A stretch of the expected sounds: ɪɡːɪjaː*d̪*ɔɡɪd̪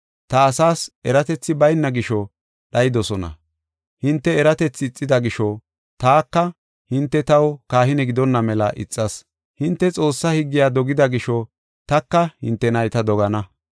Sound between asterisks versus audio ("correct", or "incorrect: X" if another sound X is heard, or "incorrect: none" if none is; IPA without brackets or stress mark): correct